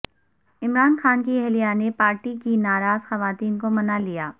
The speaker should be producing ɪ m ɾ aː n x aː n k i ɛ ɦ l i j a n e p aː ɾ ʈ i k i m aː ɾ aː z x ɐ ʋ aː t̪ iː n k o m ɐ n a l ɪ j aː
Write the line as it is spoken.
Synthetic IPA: ɪ m ɾ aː n x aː n k i ɛ ɦ l i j a n e p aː ɾ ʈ i k i n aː ɾ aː z x ɐ ʋ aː t̪ iː n k o m ɐ n a l i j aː